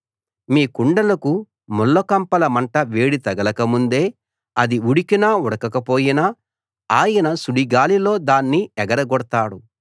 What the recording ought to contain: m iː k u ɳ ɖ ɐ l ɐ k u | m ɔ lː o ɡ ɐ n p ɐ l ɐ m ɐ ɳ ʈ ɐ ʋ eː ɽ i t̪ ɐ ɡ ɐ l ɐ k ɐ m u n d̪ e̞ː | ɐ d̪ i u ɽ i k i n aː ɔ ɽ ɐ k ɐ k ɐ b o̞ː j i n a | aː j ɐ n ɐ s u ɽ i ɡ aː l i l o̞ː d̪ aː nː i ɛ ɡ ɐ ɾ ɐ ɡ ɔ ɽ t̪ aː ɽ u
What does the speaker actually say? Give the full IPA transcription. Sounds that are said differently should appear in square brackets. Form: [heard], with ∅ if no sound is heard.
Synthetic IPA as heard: m iː k u ɳ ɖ ɐ l ɐ k u | m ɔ lː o [k] ɐ [m] p ɐ l ɐ m ɐ ɳ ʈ ɐ ʋ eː ɽ i t̪ ɐ ɡ ɐ l ɐ k ɐ m u n d̪ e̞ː | ɐ d̪ i u ɽ i k i n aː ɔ ɽ ɐ k ɐ k ɐ [p] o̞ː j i n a | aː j ɐ n ɐ s u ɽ i ɡ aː l i l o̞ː d̪ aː nː i ɛ ɡ ɐ ɾ ɐ ɡ ɔ ɽ t̪ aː ɽ u